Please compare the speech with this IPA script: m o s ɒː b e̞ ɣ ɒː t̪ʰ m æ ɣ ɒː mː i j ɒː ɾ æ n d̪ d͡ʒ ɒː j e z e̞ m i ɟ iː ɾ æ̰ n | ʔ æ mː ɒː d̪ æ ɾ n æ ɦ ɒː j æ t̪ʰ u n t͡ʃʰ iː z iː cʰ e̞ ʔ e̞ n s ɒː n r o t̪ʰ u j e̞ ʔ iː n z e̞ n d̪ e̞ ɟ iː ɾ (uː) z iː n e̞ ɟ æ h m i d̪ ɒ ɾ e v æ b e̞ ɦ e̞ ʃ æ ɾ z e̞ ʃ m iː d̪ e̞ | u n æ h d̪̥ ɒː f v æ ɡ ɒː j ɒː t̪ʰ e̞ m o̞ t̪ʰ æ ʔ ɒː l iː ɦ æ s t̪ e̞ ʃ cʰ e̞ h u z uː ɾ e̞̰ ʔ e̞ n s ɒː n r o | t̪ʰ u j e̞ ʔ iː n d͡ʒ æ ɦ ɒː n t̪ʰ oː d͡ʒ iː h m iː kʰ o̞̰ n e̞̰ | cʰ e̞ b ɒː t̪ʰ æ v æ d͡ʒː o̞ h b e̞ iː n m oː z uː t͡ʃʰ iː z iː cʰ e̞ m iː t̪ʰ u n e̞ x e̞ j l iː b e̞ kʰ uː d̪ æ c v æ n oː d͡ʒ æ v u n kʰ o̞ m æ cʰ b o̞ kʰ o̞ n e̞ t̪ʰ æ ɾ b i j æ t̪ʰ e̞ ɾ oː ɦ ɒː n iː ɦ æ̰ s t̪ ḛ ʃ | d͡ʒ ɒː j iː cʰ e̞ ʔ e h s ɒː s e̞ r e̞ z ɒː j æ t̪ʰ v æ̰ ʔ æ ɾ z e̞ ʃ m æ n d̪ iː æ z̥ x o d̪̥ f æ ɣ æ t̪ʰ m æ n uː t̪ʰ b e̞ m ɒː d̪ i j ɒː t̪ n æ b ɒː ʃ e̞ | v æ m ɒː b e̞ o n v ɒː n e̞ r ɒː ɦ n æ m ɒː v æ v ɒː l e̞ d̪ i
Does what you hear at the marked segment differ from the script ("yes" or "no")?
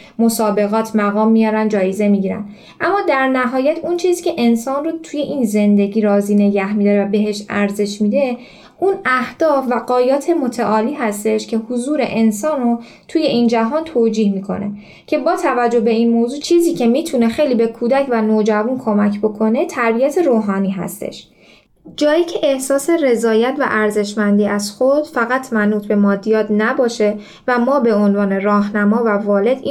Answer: yes